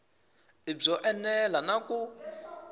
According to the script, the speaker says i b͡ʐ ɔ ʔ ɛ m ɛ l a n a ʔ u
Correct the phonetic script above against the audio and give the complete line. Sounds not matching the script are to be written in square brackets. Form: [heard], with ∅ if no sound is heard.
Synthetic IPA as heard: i b͡ʐ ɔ ʔ ɛ [n] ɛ l a n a [k] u